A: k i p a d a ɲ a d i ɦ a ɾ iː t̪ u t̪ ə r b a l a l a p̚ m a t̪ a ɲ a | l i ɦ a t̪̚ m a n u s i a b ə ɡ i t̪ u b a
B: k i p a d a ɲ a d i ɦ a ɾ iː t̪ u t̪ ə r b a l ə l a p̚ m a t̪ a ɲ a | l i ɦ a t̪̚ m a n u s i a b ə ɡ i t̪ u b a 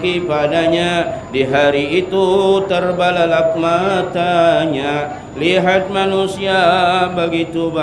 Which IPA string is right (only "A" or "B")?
A